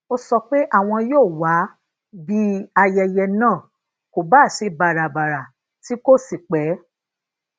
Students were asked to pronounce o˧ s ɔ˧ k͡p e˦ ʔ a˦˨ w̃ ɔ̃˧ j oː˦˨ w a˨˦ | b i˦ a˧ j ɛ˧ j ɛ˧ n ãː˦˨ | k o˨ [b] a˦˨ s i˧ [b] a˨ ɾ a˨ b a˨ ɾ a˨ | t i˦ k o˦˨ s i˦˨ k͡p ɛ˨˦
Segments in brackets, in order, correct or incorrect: correct, correct

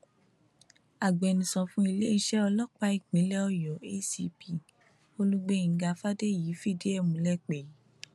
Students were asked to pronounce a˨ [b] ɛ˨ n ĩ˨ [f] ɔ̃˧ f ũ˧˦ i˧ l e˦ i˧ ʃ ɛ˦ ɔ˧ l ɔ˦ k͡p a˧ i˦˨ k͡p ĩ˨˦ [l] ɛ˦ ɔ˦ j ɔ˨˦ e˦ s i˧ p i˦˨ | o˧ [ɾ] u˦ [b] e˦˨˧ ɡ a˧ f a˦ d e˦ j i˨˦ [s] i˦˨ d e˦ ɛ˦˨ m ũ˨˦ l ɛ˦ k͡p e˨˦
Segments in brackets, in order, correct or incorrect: incorrect, incorrect, correct, incorrect, incorrect, incorrect

